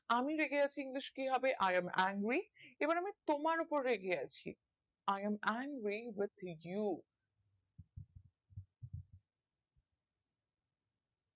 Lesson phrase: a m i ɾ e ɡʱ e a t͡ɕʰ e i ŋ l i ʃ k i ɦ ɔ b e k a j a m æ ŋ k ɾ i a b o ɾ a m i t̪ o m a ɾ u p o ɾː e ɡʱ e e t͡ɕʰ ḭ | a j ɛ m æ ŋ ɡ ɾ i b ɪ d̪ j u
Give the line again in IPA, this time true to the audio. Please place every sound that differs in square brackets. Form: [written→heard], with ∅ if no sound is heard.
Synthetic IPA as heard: a m i ɾ e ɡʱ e a t͡ɕʰ [e→i] i ŋ l i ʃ k i ɦ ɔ b e [k→ʔ] a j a m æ ŋ [k→ɡ] ɾ i [a→e] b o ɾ a m i t̪ o m a ɾ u p o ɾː e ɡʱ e [e→a] t͡ɕʰ ḭ | a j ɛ m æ ŋ ɡ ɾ i [b→w] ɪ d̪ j u